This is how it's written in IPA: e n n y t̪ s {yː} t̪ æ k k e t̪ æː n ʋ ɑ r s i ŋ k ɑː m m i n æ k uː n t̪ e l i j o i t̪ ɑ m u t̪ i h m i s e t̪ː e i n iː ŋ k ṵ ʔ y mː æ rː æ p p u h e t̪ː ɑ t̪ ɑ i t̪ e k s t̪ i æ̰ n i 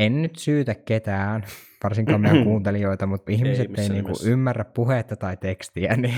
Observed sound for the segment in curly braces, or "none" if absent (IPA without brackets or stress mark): yː